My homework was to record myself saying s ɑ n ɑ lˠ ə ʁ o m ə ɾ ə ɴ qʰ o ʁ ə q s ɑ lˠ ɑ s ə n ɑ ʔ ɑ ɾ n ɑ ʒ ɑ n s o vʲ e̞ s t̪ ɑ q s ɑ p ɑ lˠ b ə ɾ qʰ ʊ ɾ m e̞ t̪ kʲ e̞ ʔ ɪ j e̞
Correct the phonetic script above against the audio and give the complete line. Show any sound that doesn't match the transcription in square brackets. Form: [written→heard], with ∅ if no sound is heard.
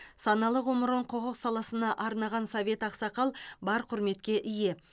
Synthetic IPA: s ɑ n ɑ lˠ ə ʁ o m ə ɾ ə ɴ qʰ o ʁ ə q s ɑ lˠ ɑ s ə n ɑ ʔ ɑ ɾ n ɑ [ʒ→ʁ] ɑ n s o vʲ e̞ [s→∅] t̪ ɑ q s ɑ [p→q] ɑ lˠ b [ə→ɑ] ɾ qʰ ʊ ɾ m e̞ t̪ kʲ e̞ ʔ ɪ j e̞

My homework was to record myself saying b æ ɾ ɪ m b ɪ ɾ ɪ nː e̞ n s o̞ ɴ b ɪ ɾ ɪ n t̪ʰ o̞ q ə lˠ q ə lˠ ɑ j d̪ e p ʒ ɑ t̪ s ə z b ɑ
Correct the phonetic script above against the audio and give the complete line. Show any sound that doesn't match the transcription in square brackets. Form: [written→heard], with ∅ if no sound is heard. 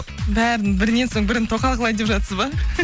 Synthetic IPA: b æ ɾ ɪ [m→n] b ɪ ɾ ɪ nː e̞ n s o̞ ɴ b ɪ ɾ ɪ n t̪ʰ o̞ q [ə→ɑ] lˠ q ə lˠ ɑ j d̪ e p ʒ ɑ t̪ s ə z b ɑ

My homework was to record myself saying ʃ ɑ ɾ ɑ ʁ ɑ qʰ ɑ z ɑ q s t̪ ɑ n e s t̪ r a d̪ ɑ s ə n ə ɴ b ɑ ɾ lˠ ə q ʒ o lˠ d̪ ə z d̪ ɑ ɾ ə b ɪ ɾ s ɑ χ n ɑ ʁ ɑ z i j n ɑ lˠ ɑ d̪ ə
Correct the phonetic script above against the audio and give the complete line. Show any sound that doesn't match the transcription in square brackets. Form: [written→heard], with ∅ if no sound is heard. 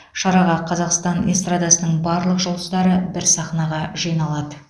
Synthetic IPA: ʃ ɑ ɾ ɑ ʁ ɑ qʰ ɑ z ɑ q s t̪ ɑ n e s t̪ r a d̪ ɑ s ə n ə ɴ b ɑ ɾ lˠ ə q ʒ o lˠ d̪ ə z d̪ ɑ ɾ ə b ɪ ɾ s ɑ χ n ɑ ʁ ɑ [z→ʒ] i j n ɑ lˠ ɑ d̪ ə

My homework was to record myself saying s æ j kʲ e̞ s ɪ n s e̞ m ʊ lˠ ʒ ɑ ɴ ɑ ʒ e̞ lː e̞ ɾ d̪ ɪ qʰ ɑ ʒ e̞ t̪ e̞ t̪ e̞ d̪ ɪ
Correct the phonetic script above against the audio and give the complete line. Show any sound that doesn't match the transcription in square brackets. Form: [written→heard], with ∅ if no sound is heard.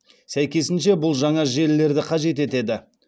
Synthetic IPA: s æ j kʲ e̞ s ɪ n [s→ʃ] e̞ [m→b] ʊ lˠ ʒ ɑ ɴ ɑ ʒ e̞ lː e̞ ɾ d̪ ɪ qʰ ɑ ʒ e̞ t̪ e̞ t̪ e̞ d̪ ɪ

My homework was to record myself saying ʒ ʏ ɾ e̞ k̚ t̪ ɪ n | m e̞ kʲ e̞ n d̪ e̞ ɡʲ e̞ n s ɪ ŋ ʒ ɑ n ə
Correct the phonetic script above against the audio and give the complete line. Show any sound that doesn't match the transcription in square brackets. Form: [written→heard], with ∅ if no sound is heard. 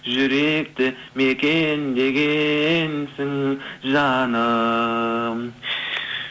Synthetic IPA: ʒ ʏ ɾ e̞ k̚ t̪ ɪ [n→∅] | m e̞ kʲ e̞ n d̪ e̞ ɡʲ e̞ n s ɪ ŋ ʒ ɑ n ə

